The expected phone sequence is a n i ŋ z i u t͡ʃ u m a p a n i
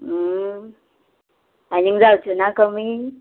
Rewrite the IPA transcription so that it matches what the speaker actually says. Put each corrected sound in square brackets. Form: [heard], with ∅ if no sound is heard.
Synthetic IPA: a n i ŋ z [a] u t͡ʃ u [n] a [k] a [m] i